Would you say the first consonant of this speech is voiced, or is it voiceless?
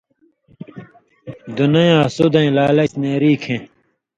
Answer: voiced